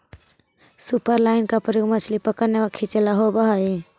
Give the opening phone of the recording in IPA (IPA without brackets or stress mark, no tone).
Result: s